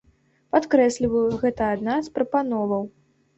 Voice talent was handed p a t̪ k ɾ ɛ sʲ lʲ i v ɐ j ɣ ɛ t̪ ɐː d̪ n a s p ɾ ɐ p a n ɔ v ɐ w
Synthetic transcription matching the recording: p a t̪ k ɾ ɛ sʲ lʲ i v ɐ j ɣ ɛ t̪ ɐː d̪ n a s p ɾ ɐ p a n ɔ v ɐ w

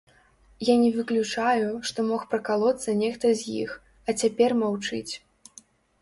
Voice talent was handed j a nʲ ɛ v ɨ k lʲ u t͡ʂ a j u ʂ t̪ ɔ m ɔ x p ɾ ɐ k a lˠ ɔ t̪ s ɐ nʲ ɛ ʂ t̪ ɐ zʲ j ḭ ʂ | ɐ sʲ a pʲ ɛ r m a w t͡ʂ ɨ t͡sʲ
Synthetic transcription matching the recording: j a nʲ ɛ v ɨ k lʲ u t͡ʂ a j u ʂ t̪ ɔ m ɔ x p ɾ ɐ k a lˠ ɔ t̪ s ɐ nʲ ɛ x t̪ ɐ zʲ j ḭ x | ɐ t͡sʲ a pʲ ɛ r m a w t͡ʂ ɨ t͡sʲ

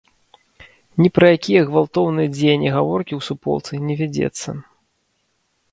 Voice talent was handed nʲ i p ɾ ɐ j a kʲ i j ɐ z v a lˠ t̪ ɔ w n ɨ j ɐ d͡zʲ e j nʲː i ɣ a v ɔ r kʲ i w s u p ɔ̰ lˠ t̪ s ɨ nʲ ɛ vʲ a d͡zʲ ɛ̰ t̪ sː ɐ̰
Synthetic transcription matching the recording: nʲ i p ɾ ɐ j a kʲ i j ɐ ɣ v a lˠ t̪ ɔ w n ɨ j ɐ d͡zʲ e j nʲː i ɣ a v ɔ r kʲ i w s u p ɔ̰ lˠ t̪ s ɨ nʲ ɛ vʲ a d͡zʲ ɛ̰ t̪ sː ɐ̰

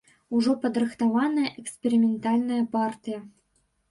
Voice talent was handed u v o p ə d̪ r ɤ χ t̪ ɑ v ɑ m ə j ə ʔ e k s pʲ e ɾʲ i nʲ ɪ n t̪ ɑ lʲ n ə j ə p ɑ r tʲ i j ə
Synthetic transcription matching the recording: u ʐ o p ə d̪ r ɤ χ t̪ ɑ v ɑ n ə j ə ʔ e k s pʲ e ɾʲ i mʲ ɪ n t̪ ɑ lʲ n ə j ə p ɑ r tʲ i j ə

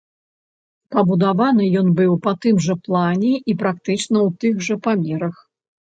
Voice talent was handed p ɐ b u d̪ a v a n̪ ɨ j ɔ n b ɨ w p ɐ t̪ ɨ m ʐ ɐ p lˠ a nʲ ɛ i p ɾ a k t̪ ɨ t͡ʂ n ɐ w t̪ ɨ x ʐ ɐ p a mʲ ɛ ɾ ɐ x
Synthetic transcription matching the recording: p ɐ b u d̪ a v a n̪ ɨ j ɔ n b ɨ w p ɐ t̪ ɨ m ʐ ɐ p lˠ a nʲ ɛ i p ɾ a k t̪ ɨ t͡ʂ n ɐ w t̪ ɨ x ʐ ɐ p a mʲ ɛ ɾ ɐ x

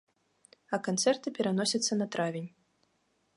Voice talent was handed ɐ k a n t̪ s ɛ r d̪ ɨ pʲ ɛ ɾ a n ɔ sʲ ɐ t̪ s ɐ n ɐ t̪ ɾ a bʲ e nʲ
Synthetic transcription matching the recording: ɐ k a n t̪ s ɛ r t̪ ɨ pʲ ɛ ɾ a n ɔ sʲ ɐ t̪ sː ɐ n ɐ t̪ ɾ a vʲ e nʲ

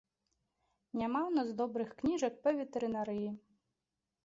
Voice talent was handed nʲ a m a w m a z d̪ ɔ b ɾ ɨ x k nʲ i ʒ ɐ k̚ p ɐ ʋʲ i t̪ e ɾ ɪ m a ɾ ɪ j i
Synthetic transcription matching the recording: nʲ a m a w n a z d̪ ɔ b ɾ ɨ x k nʲ i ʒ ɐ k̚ p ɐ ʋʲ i t̪ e ɾ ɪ n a ɾ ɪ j i

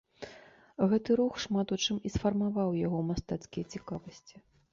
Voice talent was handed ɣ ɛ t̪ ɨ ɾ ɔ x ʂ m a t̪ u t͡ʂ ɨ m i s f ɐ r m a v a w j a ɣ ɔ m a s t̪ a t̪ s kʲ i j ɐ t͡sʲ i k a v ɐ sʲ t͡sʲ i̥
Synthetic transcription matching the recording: ɣ ɛ t̪ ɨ ɾ u x ʂ m a t̪ u t͡ʂ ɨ m i s f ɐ r m a v a w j a ɣ ɔ m a s t̪ a t̪ s kʲ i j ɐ t͡sʲ i k a v ɐ sʲ t͡sʲ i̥

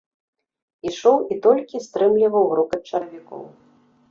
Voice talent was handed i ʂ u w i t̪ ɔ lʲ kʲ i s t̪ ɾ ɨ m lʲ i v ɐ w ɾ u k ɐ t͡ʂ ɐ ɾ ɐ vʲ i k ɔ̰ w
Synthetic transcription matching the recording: i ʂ ɔ w i t̪ ɔ lʲ kʲ i s t̪ ɾ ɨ m lʲ i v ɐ w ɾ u k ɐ t͡ʂ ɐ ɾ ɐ vʲ i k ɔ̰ w

